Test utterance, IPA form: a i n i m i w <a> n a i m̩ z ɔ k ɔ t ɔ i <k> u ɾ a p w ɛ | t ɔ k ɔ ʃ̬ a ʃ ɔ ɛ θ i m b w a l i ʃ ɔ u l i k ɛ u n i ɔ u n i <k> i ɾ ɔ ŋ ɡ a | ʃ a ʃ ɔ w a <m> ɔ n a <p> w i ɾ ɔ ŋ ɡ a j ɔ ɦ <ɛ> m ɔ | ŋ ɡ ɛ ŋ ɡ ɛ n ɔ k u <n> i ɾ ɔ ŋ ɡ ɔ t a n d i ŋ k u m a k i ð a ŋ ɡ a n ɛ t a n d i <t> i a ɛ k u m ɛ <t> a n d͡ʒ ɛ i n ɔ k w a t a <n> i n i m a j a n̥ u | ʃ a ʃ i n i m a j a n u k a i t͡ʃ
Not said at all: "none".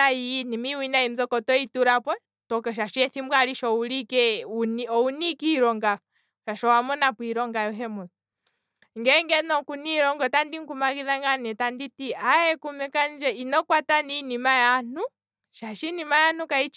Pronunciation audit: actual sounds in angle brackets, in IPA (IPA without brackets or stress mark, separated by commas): i, t, k, m, p, ɛ, n, t, k, n